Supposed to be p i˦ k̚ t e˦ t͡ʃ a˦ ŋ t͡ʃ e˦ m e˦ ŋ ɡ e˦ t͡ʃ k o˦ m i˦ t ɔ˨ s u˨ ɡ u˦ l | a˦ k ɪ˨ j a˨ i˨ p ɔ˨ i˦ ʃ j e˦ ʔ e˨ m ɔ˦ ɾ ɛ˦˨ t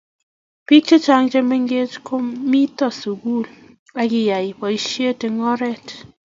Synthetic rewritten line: p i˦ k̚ t͡ʃ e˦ t͡ʃ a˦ ŋ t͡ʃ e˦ m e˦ ŋ ɡ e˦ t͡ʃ k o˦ m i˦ t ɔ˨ s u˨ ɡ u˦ l | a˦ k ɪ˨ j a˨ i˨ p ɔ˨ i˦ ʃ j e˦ t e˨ ŋ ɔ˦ ɾ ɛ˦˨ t